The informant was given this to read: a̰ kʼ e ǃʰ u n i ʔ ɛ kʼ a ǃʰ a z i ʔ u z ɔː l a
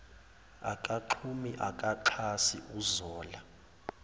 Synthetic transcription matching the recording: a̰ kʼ a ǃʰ u m i ʔ a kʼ a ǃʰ a s i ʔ u z ɔː l a